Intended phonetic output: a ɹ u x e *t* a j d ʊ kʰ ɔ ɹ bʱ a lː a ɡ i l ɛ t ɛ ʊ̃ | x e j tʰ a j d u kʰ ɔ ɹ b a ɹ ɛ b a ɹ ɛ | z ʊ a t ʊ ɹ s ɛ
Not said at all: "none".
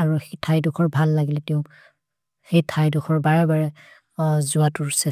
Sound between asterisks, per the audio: tʰ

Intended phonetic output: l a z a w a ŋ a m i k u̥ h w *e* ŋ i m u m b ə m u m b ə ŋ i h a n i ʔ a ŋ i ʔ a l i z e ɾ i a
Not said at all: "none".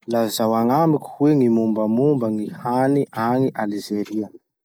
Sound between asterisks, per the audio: e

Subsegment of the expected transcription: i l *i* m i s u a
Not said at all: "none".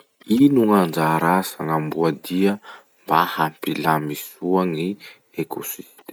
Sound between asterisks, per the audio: a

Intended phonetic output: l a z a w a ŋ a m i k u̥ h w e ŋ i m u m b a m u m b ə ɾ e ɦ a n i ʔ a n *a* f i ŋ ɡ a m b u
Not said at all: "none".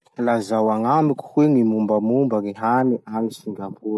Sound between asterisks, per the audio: i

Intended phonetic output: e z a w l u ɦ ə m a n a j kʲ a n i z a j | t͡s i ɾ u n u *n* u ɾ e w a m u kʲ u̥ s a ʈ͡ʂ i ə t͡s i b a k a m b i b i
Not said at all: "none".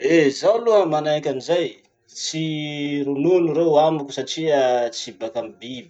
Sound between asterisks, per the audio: n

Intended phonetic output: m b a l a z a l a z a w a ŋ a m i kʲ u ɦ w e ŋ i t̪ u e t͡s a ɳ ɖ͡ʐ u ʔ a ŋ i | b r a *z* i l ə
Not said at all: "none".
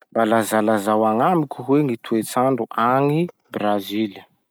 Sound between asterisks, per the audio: z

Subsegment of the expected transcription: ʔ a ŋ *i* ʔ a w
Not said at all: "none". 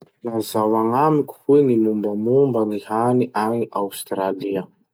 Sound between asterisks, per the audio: i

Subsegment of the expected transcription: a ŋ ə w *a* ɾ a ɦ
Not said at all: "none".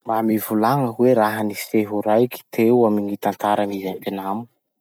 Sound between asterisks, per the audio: e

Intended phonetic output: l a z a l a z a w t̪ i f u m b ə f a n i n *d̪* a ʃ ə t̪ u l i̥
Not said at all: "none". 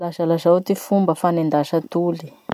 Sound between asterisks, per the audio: d̪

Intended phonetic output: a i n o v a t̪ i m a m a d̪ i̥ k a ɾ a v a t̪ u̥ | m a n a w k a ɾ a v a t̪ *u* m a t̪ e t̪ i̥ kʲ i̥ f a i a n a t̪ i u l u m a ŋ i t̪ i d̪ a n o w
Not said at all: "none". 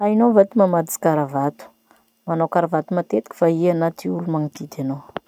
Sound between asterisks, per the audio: u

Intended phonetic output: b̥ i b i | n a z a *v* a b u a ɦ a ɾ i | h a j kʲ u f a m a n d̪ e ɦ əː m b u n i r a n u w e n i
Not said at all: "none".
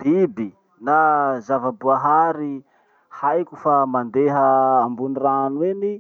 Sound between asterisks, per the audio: v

